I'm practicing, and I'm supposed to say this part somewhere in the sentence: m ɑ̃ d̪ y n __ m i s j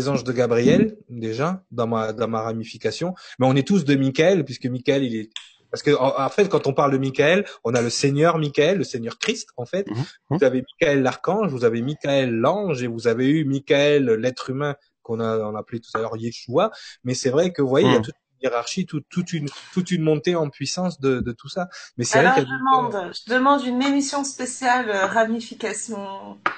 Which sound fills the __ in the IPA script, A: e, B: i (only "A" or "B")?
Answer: A